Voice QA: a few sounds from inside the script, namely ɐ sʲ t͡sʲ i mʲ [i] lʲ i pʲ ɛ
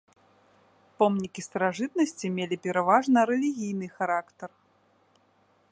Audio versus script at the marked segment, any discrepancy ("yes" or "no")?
yes